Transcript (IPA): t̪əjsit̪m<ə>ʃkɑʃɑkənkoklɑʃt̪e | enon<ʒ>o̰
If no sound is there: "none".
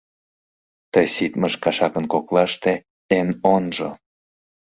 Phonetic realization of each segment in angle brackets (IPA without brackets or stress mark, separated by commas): ə, ʒ